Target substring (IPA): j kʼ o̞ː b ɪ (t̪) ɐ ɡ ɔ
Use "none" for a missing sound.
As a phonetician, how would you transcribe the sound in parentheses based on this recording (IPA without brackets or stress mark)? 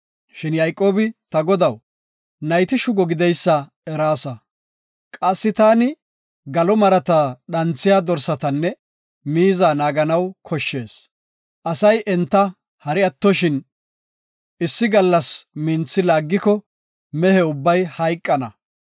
t̪